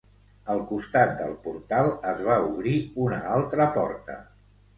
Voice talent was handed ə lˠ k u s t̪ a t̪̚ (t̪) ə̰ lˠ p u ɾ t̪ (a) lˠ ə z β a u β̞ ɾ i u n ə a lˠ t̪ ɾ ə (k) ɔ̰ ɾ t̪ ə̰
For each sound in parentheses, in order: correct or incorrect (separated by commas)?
incorrect, correct, incorrect